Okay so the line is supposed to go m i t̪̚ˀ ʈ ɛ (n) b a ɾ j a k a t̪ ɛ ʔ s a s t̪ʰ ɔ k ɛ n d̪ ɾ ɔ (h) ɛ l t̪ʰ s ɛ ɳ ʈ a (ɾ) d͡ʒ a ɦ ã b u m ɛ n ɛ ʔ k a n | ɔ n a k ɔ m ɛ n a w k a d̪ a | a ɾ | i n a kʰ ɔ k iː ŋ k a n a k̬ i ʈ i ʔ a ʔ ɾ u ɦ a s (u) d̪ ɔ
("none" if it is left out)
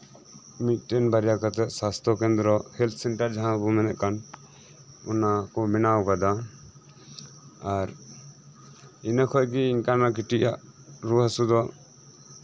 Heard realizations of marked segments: n, h, ɾ, u

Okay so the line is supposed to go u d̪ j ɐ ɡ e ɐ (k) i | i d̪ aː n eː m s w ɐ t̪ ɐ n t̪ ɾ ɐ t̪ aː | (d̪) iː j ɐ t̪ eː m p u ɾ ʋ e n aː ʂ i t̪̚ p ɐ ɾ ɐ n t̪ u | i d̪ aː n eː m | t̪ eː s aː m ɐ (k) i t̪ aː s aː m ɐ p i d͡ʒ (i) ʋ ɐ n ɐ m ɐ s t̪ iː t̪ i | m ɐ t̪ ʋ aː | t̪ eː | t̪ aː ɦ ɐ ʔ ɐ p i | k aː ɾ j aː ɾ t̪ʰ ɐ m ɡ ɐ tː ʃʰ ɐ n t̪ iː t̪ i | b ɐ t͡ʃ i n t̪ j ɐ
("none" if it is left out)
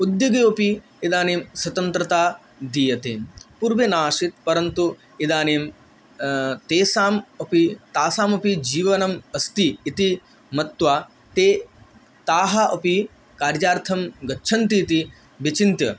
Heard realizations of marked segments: p, d̪, p, iː

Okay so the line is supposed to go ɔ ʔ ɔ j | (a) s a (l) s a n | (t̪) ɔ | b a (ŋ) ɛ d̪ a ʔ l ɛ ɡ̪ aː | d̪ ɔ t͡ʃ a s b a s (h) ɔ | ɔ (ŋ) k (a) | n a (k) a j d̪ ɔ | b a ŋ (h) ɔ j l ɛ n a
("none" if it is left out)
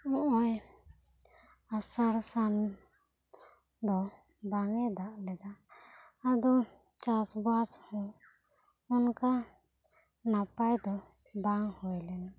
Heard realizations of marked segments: a, ɾ, d̪, ŋ, h, n, a, p, h

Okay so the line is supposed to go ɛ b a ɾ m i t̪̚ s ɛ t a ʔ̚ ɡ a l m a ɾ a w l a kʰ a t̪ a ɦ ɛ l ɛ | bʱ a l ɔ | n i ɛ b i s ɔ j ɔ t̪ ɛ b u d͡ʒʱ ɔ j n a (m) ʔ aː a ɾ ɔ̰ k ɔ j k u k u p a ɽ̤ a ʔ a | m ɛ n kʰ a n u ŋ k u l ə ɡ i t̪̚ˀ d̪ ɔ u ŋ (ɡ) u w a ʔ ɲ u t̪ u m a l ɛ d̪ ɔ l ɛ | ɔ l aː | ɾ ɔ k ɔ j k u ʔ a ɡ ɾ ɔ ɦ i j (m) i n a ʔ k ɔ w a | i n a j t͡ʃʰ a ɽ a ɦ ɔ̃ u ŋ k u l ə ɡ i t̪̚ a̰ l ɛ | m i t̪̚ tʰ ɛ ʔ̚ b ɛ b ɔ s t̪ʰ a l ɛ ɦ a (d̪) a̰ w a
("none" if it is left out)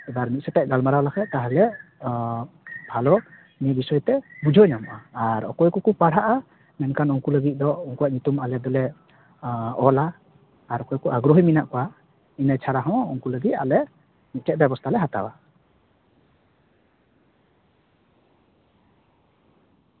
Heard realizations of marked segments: m, k, m, t̪

